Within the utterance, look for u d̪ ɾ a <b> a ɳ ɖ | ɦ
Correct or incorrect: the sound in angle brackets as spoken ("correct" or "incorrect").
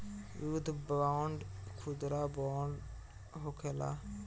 correct